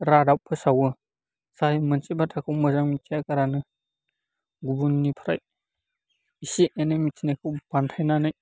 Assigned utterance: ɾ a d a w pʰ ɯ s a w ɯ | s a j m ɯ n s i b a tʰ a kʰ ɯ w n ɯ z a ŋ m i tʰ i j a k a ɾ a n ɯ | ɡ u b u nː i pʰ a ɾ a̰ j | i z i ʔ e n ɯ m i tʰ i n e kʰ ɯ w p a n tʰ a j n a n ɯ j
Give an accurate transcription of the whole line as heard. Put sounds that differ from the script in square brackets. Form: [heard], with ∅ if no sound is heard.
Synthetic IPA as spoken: ɾ a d a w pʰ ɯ s a w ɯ | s a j m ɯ n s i b a tʰ a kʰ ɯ w [m] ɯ z a ŋ m i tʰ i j a k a ɾ a n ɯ | ɡ u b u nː i pʰ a ɾ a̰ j | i [s] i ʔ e n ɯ m i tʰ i n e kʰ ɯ w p a n tʰ a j n a n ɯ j

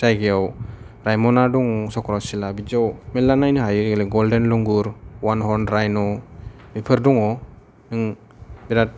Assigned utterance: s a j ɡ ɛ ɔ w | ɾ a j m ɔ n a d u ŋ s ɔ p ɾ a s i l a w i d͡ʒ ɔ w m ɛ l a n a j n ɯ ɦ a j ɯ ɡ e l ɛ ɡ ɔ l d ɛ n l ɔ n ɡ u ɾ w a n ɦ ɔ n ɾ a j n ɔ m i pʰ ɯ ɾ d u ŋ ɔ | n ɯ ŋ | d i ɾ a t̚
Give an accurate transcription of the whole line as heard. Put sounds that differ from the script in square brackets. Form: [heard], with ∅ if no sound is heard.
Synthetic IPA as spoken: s a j ɡ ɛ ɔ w | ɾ a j m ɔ n a d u ŋ s ɔ [k] ɾ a s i l a [b] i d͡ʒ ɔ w m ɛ l a n a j n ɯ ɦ a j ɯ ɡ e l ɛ ɡ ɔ l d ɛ n l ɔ [ŋ] ɡ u ɾ w a n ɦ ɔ n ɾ a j n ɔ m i pʰ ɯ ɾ d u ŋ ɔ | n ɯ ŋ | [b] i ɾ a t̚

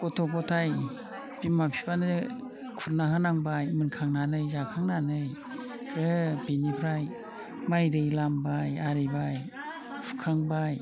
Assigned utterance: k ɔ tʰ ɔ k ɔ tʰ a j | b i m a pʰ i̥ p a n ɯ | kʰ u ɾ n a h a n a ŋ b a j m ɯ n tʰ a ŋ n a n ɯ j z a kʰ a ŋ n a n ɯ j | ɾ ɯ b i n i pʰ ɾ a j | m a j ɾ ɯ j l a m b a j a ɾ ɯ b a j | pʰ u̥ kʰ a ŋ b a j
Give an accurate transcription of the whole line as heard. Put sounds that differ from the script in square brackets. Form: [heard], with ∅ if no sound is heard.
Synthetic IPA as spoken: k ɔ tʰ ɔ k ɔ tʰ a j | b i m a pʰ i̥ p a n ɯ | kʰ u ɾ n a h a n a ŋ b a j m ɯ n [kʰ] a ŋ n a n ɯ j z a kʰ a ŋ n a n ɯ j | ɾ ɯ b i n i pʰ ɾ a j | m a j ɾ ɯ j l a m b a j a ɾ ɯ b a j | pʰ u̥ kʰ a ŋ b a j

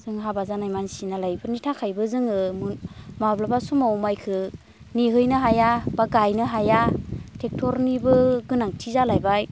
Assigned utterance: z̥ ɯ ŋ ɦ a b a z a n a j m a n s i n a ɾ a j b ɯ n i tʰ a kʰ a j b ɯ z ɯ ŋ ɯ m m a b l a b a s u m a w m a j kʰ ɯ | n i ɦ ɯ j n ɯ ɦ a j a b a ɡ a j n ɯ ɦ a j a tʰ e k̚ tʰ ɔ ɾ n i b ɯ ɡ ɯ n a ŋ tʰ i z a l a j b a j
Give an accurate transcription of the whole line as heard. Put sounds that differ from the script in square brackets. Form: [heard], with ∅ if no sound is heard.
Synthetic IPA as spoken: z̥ ɯ ŋ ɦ a b a z a n a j m a n s i n a [l] a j b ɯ n i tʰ a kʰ a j b ɯ z ɯ ŋ ɯ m m a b l a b a s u m a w m a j kʰ ɯ | n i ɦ ɯ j n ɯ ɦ a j a b a ɡ a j n ɯ ɦ a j a tʰ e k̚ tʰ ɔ ɾ n i b ɯ ɡ ɯ n a ŋ tʰ i z a l a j b a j

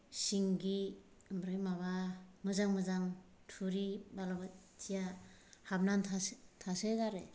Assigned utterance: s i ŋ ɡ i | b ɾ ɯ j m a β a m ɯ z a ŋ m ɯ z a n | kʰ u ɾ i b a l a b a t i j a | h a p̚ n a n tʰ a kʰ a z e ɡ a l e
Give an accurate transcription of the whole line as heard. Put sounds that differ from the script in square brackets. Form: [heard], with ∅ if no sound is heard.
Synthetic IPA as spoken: s i ŋ ɡ i | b ɾ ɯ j m a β a m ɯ z a ŋ m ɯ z a [ŋ] | [tʰ] u ɾ i b a l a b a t i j a | h a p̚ n a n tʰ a [tʰ] a [s] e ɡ a [ɾ] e

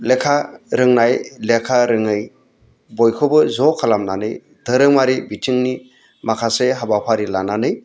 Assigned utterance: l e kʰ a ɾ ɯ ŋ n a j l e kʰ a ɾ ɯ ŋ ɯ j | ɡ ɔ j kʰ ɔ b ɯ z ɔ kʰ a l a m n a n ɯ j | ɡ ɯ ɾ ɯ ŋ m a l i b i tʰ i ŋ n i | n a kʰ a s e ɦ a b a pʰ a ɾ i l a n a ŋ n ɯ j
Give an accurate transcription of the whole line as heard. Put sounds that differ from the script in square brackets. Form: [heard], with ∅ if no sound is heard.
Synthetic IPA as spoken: l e kʰ a ɾ ɯ ŋ n a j l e kʰ a ɾ ɯ ŋ ɯ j | [b] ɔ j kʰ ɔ b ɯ z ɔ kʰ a l a m n a n ɯ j | [d] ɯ ɾ ɯ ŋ m a [ɾ] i b i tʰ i ŋ n i | [m] a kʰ a s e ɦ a b a pʰ a ɾ i l a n a [∅] n ɯ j

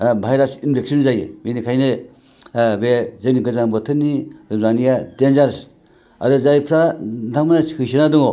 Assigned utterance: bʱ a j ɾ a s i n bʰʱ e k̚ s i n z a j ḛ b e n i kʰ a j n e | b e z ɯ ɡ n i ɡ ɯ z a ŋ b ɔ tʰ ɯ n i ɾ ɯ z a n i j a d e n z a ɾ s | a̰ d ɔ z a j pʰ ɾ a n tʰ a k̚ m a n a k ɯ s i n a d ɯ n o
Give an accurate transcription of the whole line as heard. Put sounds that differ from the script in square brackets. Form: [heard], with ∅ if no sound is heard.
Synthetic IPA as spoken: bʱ a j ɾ a s i n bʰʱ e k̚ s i n z a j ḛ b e n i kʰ a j n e | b e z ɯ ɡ n i ɡ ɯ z a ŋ b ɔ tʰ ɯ n i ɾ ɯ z a n i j a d e n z a ɾ s | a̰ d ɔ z a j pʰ ɾ a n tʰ a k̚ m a n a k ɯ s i n a d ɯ [ŋ] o

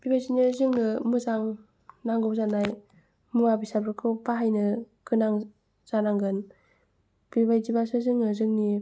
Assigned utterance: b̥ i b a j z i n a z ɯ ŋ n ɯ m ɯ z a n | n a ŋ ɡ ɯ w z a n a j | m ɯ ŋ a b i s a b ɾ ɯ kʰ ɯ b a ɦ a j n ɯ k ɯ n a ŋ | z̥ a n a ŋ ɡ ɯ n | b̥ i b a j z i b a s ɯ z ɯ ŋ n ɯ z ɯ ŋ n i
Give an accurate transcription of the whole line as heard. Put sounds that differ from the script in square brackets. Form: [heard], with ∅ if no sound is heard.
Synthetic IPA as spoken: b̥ i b a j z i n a z ɯ ŋ n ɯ m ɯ z a [ŋ] | n a ŋ ɡ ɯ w z a n a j | m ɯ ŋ a b i s a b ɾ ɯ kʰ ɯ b a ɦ a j n ɯ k ɯ n a ŋ | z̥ a n a ŋ ɡ ɯ n | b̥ i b a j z i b a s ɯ z ɯ ŋ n ɯ z ɯ ŋ n i

